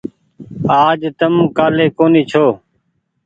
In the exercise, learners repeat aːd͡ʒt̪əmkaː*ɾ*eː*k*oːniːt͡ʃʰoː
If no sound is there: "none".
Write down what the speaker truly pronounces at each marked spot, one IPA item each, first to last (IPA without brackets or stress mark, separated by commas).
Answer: l, k